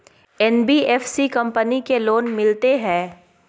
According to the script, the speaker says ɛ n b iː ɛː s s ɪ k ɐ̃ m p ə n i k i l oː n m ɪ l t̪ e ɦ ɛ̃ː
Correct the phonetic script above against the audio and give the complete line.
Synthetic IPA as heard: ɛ n b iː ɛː f s i k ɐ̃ m p ə n i k e l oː n m ɪ l t̪ e ɦ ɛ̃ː